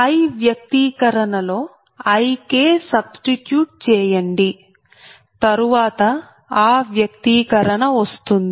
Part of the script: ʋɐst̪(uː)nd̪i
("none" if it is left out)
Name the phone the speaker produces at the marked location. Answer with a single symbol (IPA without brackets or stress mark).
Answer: u